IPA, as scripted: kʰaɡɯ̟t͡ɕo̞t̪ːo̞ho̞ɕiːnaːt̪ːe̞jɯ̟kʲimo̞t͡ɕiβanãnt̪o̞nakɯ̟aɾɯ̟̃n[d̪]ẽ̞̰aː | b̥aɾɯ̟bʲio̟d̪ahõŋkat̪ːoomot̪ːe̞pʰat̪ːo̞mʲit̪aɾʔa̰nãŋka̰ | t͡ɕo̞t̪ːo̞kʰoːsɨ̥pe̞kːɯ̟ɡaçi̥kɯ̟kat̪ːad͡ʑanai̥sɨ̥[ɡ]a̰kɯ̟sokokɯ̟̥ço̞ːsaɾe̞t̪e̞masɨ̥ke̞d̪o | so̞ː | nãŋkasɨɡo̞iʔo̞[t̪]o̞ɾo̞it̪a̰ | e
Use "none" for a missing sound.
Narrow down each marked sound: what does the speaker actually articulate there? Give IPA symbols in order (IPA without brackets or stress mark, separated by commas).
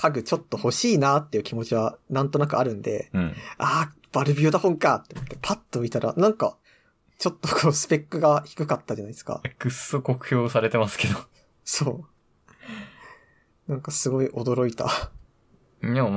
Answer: d̪, k, d̪